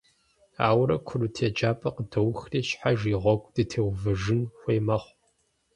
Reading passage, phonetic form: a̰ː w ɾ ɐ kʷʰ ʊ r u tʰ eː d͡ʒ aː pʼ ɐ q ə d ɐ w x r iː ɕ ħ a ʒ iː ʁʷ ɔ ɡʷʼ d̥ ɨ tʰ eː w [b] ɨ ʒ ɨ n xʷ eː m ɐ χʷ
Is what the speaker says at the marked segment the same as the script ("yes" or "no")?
no